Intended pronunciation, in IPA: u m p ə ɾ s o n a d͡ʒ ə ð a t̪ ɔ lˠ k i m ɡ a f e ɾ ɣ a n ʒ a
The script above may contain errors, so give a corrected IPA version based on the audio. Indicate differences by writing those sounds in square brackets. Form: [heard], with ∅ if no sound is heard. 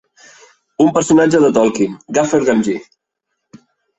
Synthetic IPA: u m p ə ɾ s [u] n a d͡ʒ ə ð [ə] t̪ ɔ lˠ k i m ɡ a f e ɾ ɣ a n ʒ [i]